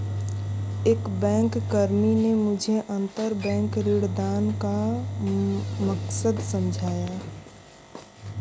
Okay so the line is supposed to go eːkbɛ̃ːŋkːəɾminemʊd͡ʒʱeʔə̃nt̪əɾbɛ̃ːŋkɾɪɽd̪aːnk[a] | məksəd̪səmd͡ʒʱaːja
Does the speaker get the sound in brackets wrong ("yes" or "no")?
no